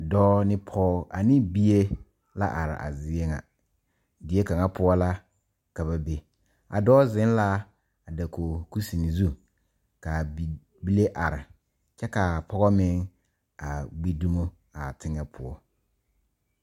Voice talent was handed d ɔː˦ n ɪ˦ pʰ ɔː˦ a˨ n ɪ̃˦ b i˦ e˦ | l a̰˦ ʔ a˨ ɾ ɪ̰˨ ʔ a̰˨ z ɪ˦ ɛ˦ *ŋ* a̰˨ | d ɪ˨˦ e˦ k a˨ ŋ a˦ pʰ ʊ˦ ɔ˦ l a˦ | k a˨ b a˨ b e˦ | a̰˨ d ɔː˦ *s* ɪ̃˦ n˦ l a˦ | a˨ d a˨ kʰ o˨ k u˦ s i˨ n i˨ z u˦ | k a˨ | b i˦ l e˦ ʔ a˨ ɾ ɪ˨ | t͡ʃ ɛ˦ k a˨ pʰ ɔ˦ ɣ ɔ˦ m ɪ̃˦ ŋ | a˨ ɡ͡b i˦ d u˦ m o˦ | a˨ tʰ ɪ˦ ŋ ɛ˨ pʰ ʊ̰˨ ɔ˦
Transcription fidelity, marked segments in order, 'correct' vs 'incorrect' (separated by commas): correct, incorrect